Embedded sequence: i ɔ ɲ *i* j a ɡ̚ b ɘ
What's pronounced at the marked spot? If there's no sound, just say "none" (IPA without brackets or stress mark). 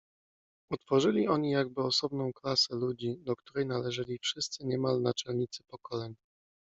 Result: i